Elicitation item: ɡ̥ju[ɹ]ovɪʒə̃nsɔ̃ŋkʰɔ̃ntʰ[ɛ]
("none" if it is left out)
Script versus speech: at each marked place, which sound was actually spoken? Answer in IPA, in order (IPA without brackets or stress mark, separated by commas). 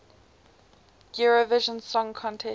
ɹ, ɛ